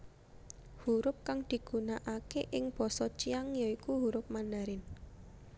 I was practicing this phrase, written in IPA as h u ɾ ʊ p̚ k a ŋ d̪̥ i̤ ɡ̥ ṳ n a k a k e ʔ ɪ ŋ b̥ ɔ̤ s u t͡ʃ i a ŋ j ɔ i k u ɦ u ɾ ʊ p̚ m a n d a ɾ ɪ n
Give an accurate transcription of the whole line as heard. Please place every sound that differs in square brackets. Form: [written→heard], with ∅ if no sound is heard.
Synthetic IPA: h u ɾ ʊ p̚ k a ŋ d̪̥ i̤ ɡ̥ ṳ n a [k→ʔ] a k e ʔ ɪ ŋ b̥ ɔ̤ s [u→ɔ] t͡ʃ i a ŋ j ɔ i k u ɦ u ɾ ʊ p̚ m a n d a ɾ ɪ n

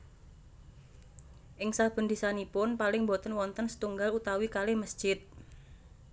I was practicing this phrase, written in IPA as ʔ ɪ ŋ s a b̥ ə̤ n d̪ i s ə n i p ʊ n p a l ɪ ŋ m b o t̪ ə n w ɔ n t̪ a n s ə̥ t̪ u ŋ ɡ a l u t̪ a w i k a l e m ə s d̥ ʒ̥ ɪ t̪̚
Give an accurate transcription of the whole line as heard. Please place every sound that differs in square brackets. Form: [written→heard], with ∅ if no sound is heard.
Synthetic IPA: ʔ ɪ ŋ s a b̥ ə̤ n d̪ i s [ə→a] n i p ʊ n p a l ɪ ŋ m b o t̪ ə n w ɔ n t̪ [a→ə] n s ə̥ t̪ u ŋ ɡ a l u t̪ a w i k a l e m ə s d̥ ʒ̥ ɪ t̪̚

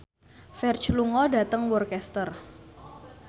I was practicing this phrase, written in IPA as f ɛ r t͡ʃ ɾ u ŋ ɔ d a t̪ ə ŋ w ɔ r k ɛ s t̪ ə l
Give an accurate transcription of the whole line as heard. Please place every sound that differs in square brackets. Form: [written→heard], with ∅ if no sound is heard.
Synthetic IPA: f ɛ r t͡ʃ [ɾ→l] u ŋ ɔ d a t̪ ə ŋ w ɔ r k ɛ s t̪ ə [l→r]

